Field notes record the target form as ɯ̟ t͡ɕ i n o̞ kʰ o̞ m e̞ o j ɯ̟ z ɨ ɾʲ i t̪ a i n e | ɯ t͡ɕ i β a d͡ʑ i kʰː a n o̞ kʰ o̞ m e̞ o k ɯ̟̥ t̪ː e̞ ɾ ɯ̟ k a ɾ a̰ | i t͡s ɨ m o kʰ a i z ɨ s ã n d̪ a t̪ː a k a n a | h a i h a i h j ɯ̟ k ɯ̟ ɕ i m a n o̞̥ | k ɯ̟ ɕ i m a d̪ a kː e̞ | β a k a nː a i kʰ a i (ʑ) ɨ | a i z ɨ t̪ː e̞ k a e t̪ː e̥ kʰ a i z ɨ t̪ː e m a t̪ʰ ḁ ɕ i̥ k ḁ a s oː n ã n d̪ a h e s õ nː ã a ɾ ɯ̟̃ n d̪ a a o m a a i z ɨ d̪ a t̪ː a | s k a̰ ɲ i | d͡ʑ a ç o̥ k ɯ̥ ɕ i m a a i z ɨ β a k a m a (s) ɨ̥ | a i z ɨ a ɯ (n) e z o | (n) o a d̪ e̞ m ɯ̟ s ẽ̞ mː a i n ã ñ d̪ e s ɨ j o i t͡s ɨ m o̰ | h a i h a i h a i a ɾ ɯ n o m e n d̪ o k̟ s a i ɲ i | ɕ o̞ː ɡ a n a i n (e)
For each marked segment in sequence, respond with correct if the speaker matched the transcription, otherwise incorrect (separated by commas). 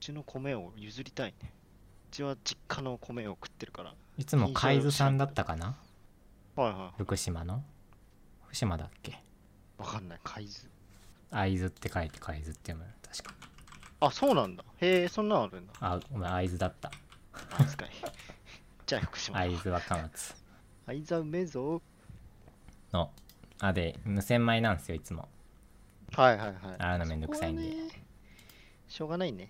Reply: incorrect, incorrect, incorrect, correct, correct